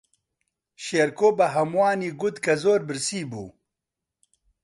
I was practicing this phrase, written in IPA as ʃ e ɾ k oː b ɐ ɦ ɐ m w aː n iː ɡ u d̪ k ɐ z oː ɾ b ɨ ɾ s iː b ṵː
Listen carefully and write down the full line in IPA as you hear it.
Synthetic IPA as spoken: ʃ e ɾ k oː b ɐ ɦ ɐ m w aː n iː ɡ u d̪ k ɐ z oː ɾ b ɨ ɾ s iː b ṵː